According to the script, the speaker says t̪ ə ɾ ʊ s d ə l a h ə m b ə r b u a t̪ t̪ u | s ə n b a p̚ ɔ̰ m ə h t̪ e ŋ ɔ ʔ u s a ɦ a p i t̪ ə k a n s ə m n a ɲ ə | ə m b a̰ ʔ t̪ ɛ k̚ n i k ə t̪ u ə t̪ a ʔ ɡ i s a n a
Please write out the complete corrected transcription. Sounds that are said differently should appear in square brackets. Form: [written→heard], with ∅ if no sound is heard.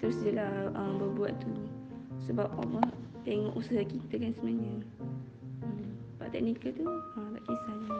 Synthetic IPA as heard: t̪ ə ɾ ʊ s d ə l a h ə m b ə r b u a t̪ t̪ u | s ə [n→∅] b a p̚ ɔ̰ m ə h t̪ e ŋ ɔ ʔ u s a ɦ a [p→k] i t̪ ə k a n s ə m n a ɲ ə | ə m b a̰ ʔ t̪ ɛ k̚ n i k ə t̪ u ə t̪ a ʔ [ɡ→k] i s a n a